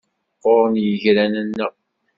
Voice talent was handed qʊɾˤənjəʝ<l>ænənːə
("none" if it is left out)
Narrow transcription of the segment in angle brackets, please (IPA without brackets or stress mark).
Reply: ɾ